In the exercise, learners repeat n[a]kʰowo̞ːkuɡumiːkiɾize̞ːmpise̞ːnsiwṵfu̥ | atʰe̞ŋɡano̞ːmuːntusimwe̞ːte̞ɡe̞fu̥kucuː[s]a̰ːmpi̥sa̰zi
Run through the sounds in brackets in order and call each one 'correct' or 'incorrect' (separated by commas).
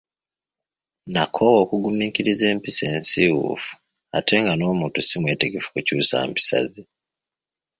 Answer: correct, correct